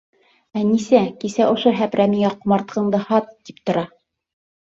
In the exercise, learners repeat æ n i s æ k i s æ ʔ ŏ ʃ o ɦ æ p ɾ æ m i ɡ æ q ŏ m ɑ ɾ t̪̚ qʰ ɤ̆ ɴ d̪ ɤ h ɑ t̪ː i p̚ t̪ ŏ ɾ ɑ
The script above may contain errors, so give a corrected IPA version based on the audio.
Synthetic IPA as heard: æ n i s æ k i s æ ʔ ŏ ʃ o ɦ æ p ɾ æ m i ŋ æ q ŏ m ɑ ɾ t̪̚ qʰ ɤ̆ ɴ d̪ ɤ h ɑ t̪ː i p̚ t̪ ŏ ɾ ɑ